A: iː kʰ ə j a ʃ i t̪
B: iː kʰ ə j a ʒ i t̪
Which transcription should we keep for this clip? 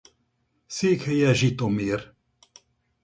B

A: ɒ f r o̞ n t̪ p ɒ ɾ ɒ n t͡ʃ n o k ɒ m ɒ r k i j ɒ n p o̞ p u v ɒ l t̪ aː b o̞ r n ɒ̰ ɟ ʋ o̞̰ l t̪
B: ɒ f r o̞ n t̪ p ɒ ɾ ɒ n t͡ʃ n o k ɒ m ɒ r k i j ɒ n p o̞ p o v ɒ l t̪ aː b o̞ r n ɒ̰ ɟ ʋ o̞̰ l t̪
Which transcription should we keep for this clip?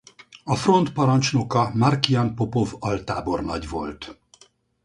B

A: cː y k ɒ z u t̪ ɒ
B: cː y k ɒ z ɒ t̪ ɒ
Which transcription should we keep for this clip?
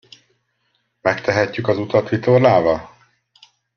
A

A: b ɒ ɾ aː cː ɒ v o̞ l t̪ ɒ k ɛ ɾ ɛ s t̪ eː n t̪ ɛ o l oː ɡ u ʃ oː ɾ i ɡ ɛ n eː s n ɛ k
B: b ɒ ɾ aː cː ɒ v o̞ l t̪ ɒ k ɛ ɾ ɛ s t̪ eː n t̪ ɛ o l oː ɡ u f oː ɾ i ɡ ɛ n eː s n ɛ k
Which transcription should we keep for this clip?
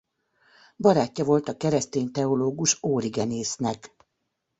A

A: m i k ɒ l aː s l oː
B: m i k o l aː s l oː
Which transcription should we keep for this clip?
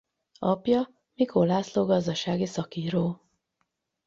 B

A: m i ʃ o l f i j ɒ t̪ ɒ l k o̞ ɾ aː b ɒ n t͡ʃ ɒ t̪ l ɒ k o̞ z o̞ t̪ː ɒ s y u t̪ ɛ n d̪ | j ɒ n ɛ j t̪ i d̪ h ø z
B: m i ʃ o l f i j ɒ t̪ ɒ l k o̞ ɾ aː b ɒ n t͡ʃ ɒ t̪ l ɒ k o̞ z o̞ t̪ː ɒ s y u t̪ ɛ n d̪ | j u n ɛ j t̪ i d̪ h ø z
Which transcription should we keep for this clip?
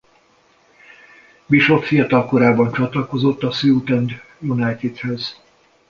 B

